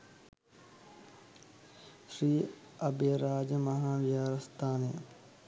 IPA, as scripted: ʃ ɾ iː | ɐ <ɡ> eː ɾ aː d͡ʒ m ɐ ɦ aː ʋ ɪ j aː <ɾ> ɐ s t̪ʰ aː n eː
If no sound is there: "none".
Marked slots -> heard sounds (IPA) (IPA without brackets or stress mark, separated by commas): b, ɾ